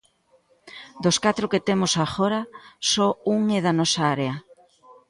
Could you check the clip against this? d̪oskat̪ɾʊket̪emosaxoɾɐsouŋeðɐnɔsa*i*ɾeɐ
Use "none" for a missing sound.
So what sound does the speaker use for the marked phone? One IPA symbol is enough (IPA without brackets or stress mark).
a